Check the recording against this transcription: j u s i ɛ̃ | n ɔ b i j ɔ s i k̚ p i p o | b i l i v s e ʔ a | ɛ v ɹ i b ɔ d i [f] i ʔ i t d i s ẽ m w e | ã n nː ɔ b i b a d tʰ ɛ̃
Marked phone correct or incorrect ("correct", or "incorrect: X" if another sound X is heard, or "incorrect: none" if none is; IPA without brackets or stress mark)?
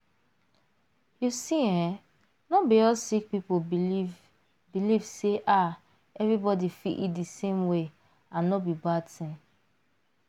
correct